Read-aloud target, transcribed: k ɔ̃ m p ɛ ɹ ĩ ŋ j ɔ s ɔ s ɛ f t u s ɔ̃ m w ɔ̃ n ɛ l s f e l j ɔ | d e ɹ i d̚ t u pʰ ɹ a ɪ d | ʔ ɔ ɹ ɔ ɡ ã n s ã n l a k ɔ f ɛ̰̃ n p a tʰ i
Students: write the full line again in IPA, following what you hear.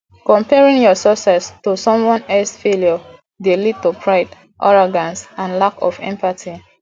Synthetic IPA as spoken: k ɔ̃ m p ɛ ɹ ĩ ŋ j ɔ s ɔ s ɛ s t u s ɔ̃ m w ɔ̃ n ɛ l s f e l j ɔ | d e l i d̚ t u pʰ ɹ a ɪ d | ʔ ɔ ɹ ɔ ɡ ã n s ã n l a k ɔ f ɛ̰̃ m p a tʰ i

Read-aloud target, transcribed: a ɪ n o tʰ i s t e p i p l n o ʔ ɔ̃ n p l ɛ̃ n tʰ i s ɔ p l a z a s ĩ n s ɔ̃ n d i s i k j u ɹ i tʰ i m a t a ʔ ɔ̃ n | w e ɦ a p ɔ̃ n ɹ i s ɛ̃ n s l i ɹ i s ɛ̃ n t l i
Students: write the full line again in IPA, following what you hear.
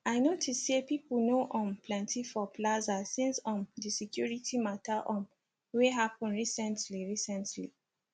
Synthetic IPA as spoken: a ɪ n o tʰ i s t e p i p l n o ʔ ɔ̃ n p l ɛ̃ n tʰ i f ɔ p l a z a s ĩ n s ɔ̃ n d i s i k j u ɹ i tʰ i m a t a ʔ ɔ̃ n | w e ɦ a p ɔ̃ n ɹ i s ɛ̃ n t l i ɹ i s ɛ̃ n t l i

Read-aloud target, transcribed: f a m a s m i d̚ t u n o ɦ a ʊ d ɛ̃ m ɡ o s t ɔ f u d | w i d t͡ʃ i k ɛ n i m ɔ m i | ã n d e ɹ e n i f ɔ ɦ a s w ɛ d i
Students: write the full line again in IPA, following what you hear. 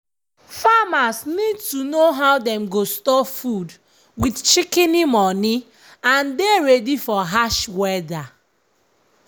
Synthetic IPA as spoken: f a m a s n i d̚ t u n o ɦ a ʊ d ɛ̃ m ɡ o s t ɔ f u d | w i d t͡ʃ i k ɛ n i m ɔ n i | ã n d e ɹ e d i f ɔ ɦ a ʃ w ɛ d a

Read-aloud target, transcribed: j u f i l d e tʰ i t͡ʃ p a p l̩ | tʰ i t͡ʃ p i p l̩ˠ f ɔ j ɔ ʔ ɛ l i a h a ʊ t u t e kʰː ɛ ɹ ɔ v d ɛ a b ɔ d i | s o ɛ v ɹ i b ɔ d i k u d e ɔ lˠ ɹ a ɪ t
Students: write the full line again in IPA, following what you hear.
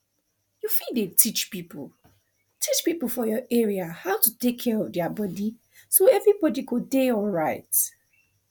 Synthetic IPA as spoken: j u f i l d e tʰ i t͡ʃ p i p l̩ | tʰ i t͡ʃ p i p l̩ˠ f ɔ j ɔ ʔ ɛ ɹ i a h a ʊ t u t e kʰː ɛ ɹ ɔ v d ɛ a b ɔ d i | s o ɛ v ɹ i b ɔ d i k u d e ɔ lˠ ɹ a ɪ t

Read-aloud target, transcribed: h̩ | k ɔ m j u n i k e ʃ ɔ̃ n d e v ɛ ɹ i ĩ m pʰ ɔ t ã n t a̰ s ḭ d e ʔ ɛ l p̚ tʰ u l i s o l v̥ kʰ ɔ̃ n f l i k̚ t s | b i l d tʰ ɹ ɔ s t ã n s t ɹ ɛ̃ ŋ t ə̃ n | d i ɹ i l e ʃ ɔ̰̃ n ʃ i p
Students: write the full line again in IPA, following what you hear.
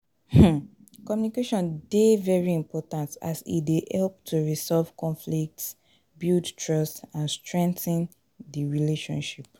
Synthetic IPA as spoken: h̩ | k ɔ m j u n i k e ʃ ɔ̃ n d e v ɛ ɹ i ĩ m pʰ ɔ t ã n t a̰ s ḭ d e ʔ ɛ l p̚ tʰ u ɹ i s ɔ l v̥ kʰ ɔ̃ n f l i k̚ t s | b i l d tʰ ɹ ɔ s t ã n s t ɹ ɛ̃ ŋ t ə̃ n | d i ɹ i l e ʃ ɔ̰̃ n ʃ i p

